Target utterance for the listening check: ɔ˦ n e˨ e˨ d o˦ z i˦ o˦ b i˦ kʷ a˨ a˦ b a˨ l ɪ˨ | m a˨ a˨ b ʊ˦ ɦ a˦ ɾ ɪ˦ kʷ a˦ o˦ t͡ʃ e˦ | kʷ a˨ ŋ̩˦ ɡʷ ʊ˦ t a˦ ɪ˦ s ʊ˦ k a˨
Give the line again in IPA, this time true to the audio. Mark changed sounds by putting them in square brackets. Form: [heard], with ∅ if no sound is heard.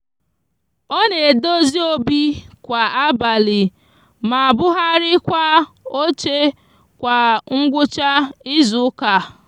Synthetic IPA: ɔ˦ n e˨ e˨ d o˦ z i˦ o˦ b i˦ kʷ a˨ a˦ b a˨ l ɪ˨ | m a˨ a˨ b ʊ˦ ɦ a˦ ɾ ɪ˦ kʷ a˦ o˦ t͡ʃ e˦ | kʷ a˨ ŋ̩˦ ɡʷ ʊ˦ [t͡ʃ] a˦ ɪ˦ [z] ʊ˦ k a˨